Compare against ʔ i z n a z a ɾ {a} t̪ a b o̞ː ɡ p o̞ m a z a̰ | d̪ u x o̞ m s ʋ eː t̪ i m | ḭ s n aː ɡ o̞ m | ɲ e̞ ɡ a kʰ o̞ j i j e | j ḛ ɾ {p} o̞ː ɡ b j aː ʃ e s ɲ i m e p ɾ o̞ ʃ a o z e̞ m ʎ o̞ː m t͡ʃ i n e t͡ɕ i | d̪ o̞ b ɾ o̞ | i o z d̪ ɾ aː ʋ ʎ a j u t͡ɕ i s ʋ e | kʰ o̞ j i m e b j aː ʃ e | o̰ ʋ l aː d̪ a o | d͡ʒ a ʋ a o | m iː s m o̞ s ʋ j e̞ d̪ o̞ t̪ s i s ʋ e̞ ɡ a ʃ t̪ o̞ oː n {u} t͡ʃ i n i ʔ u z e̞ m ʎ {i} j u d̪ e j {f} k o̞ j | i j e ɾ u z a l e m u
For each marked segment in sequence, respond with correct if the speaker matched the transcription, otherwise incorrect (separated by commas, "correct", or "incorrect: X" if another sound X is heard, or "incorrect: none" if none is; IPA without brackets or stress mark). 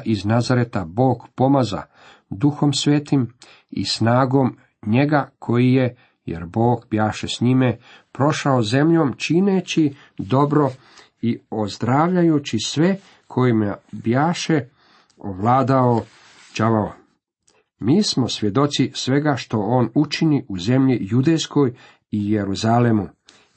incorrect: e, incorrect: b, correct, correct, incorrect: s